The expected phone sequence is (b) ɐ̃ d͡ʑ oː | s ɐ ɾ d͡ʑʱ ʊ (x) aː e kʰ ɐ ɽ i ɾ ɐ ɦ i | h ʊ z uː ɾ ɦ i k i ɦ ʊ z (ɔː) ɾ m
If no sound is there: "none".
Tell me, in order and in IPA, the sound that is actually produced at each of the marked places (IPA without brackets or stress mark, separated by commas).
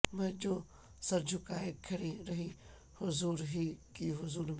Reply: m, k, uː